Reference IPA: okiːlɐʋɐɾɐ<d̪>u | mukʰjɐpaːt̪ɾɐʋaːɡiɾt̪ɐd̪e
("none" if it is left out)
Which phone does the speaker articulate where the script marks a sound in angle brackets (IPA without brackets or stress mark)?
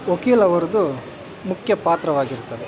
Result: d̪